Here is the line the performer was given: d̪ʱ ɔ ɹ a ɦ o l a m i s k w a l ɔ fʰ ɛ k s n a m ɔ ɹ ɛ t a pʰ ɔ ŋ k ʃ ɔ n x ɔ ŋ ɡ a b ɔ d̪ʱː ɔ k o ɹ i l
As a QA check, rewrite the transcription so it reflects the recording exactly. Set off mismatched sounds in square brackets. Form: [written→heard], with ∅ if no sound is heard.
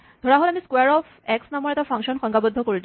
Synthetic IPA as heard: d̪ʱ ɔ ɹ a ɦ o l a m i s k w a [l→ɹ] ɔ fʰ ɛ k s n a m ɔ ɹ ɛ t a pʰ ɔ ŋ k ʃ ɔ n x ɔ ŋ ɡ a b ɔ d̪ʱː ɔ k o ɹ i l